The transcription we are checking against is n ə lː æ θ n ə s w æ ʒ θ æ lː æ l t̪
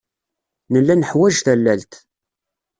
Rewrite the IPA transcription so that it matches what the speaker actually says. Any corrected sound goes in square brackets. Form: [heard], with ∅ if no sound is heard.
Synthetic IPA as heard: n ə lː æ [∅] n ə [ħ] w æ ʒ θ æ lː æ l t̪